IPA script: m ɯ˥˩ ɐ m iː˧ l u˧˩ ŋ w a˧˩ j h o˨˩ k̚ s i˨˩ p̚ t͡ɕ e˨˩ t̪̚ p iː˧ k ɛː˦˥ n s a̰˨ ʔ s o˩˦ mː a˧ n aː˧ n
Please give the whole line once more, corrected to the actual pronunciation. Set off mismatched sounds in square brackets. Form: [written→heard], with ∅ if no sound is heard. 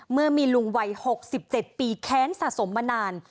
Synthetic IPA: m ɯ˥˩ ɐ m iː˧ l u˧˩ ŋ w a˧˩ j h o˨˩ k̚ s i˨˩ p̚ t͡ɕ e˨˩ t̪̚ p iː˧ [k→kʰ] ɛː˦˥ n s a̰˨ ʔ s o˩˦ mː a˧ n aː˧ n